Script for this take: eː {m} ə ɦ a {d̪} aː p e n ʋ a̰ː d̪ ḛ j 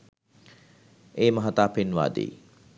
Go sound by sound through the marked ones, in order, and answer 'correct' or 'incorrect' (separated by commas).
correct, incorrect